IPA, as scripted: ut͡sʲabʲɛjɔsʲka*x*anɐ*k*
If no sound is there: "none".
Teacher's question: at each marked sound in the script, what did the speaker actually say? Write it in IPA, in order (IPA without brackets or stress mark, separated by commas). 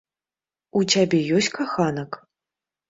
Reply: x, k